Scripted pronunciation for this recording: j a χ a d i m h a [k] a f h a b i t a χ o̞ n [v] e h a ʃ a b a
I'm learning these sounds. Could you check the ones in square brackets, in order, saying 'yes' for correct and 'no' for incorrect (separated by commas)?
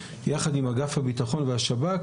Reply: no, yes